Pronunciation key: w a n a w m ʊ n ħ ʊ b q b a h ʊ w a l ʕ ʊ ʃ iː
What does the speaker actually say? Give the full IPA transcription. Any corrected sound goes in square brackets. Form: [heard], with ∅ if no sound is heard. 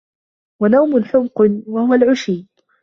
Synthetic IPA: w a n a w m ʊ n ħ ʊ [m] q [w] a h ʊ w a l ʕ ʊ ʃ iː

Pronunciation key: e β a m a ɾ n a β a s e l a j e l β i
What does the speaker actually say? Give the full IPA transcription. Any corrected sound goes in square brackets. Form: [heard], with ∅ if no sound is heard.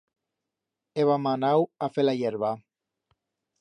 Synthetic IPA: e β a m a [∅] n a [w] a [f] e l a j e [ɾ] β [a]

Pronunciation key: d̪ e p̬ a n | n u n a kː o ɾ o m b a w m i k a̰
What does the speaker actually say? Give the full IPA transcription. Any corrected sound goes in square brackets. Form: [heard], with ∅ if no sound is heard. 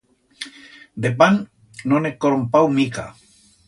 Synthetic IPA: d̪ e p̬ a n | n [o] n [e] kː o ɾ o m [p] a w m i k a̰

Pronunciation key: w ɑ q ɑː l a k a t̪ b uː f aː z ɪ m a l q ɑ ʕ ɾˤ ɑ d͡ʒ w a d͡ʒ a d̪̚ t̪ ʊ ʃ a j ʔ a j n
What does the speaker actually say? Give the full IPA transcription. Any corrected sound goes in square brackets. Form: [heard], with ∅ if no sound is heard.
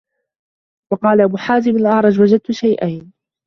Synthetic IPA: w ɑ q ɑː l a [ʔ] a [∅] b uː [ħ] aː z ɪ m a l [ʔ] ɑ ʕ ɾˤ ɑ d͡ʒ w a d͡ʒ a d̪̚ t̪ ʊ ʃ a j ʔ a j n

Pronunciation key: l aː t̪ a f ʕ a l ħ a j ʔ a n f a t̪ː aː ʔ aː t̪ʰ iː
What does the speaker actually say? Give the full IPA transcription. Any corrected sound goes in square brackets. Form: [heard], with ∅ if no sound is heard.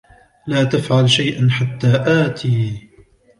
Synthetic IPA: l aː t̪ a f ʕ a l [ʃ] a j ʔ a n [ħ] a t̪ː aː ʔ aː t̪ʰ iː

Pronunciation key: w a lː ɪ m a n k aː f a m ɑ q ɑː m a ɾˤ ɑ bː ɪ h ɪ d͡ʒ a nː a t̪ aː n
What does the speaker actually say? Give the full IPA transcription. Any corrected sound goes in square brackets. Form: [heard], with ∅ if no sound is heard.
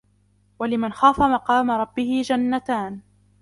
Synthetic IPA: w a [l] ɪ m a n [x] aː f a m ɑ q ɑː m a ɾˤ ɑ bː ɪ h ɪ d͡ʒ a nː a t̪ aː n

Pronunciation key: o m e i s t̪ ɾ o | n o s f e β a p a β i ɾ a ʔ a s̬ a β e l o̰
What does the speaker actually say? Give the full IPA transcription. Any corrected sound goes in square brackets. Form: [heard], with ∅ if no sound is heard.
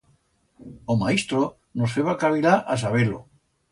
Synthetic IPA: o m [a] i s t̪ ɾ o | n o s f e β a [k] a β i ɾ a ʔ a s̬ a β e l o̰

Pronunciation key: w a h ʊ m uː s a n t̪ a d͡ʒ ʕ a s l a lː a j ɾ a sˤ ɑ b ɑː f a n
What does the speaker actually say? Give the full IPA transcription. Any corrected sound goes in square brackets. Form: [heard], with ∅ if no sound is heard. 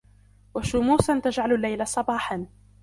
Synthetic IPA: w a [ʃ] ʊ m uː s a n t̪ a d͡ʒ ʕ a [∅] l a lː a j [l] a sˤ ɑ b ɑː [ħ] a n

